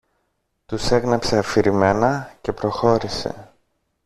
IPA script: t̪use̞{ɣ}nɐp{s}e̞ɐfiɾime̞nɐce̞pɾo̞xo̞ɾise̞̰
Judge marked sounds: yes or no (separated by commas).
yes, yes